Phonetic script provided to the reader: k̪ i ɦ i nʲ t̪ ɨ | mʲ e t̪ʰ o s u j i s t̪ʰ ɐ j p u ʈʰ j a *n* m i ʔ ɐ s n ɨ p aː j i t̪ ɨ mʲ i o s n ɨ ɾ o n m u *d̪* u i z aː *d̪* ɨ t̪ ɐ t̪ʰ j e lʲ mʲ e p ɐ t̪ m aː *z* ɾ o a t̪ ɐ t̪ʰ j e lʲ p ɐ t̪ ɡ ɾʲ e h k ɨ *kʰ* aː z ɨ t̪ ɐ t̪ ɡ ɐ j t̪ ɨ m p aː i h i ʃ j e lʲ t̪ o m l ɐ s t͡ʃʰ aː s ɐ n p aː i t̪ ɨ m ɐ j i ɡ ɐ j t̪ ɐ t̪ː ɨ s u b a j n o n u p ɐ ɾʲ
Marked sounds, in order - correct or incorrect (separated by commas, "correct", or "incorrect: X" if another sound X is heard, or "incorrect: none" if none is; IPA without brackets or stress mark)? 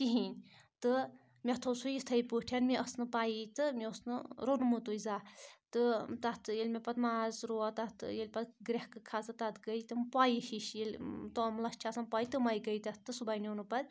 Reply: correct, incorrect: t̪, incorrect: t̪, correct, correct